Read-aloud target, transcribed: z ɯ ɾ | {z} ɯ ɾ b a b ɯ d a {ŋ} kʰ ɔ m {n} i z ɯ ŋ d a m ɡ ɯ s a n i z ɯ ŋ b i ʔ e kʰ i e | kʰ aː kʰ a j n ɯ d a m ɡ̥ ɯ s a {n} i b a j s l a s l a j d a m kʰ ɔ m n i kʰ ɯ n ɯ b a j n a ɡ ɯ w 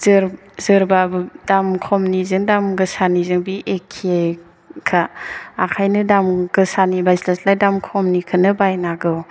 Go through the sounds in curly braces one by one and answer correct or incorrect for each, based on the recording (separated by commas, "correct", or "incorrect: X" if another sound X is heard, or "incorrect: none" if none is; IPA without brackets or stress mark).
correct, incorrect: m, correct, correct